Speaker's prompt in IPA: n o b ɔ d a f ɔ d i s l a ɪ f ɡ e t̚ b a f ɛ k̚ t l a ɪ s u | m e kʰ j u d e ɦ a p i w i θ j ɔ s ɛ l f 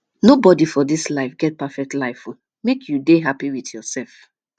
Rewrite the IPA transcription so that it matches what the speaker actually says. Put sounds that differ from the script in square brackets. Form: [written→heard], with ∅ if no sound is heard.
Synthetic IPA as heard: n o b ɔ d [a→i] f ɔ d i s l a ɪ f ɡ [e→ɛ] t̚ [b→p] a f ɛ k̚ t l a ɪ [s→f] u | m e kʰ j u d e ɦ a p i w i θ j ɔ s ɛ l f